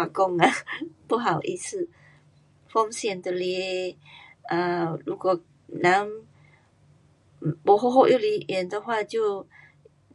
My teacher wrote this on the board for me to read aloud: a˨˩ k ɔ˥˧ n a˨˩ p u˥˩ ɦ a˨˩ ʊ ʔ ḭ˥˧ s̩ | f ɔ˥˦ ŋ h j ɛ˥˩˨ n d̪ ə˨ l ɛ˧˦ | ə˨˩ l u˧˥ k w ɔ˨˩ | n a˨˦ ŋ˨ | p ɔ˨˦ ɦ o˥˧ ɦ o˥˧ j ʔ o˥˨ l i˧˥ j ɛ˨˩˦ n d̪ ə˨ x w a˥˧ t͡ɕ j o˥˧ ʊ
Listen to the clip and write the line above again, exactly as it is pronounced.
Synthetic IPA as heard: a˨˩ k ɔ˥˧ ŋ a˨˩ p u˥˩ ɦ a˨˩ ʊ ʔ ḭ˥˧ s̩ | f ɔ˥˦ ŋ s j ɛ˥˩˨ n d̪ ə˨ l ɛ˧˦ | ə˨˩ l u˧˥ k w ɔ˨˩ | n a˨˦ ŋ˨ | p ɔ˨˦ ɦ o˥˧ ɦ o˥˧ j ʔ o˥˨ l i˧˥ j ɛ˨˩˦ n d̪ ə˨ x w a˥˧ t͡ɕ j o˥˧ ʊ